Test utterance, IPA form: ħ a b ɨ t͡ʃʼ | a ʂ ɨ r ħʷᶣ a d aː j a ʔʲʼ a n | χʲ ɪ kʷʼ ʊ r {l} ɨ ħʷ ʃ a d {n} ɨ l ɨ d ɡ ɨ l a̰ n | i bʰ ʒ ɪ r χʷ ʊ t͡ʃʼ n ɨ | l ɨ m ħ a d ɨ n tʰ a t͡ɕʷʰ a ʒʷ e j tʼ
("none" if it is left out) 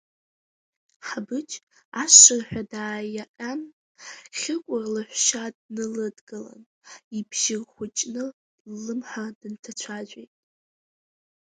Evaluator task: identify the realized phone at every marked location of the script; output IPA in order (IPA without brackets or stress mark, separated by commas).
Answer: l, n